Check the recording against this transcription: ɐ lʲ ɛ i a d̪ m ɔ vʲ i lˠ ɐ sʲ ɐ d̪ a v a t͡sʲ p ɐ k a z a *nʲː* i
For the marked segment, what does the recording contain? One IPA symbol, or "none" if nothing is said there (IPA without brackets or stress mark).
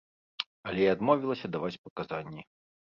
nʲː